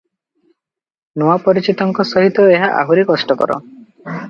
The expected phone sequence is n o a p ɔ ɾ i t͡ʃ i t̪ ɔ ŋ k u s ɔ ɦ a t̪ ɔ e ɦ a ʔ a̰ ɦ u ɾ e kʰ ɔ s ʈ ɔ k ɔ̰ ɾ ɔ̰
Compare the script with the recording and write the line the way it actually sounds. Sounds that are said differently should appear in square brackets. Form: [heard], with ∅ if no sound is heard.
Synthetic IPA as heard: n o a p ɔ ɾ i t͡ʃ i t̪ ɔ ŋ k [ɔ] s ɔ ɦ [i] t̪ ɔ e ɦ a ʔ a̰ ɦ u ɾ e [k] ɔ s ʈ ɔ k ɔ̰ ɾ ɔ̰